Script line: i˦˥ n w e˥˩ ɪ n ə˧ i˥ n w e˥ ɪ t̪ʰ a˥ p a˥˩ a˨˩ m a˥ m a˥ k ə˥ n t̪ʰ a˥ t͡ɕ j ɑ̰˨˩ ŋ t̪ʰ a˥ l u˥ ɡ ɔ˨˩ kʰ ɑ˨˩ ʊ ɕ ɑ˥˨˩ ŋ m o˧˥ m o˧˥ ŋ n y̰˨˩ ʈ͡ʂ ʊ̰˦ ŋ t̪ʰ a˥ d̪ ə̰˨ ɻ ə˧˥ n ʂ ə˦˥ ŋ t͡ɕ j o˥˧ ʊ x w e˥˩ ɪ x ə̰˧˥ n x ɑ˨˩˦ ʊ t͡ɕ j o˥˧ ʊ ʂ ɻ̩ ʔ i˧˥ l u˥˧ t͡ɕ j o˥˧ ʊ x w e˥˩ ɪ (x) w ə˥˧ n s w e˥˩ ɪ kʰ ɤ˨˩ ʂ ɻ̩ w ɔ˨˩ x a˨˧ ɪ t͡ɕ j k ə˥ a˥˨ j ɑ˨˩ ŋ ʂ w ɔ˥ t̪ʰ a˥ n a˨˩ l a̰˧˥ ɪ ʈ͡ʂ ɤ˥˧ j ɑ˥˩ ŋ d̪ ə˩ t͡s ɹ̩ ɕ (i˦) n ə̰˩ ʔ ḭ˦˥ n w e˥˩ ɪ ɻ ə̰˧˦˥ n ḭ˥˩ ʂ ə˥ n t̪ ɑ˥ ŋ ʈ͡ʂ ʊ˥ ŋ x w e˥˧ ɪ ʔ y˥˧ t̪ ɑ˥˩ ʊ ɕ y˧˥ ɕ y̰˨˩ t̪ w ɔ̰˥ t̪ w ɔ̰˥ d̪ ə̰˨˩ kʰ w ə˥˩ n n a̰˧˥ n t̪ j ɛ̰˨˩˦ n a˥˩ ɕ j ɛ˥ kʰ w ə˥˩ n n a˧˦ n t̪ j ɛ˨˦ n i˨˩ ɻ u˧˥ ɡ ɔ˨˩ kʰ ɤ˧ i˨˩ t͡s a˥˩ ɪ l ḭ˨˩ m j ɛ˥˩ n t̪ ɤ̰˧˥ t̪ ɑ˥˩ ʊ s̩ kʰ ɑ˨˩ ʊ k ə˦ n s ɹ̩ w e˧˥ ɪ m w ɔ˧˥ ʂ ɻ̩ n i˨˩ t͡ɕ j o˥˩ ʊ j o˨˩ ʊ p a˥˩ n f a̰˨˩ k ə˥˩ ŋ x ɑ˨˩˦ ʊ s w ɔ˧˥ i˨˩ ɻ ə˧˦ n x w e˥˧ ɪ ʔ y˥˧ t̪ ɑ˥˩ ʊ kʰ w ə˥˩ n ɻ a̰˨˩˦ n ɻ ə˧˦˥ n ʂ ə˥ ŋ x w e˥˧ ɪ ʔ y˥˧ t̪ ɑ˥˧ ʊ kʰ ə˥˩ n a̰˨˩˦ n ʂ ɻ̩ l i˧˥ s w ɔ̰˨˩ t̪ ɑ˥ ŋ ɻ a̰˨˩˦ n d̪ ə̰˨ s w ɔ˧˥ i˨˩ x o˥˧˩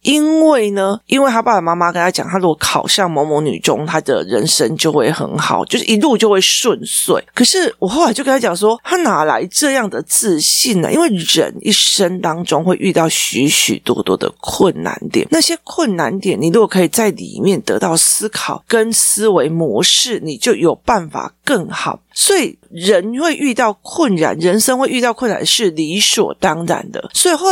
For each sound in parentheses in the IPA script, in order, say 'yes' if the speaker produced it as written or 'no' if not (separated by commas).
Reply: no, no